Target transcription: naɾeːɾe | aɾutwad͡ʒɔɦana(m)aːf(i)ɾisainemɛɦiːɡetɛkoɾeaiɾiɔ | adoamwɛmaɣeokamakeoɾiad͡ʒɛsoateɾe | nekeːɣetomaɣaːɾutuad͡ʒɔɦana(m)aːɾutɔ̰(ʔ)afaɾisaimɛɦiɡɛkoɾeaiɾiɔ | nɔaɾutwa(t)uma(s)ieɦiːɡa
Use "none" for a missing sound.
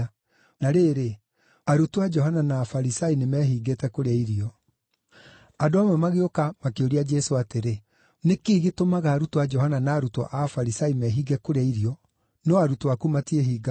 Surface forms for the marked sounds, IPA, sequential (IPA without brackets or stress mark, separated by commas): n, a, n, ʔ, k, t